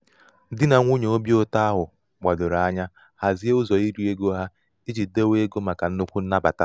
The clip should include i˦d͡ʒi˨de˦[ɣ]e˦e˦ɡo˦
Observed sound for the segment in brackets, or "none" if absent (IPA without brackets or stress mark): w